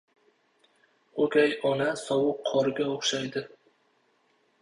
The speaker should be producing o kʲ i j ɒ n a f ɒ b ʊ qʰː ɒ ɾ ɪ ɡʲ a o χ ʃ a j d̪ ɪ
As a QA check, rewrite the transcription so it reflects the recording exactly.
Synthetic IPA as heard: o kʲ a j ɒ n a s ɒ w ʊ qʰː ɒ ɾ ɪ ɡʲ a o χ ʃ a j d̪ ɪ